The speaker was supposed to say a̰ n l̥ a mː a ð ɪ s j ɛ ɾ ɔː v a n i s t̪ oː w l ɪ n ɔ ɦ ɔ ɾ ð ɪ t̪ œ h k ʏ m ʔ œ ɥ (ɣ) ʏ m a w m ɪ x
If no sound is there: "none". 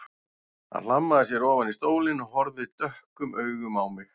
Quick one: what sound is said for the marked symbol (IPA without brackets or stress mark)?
ɣ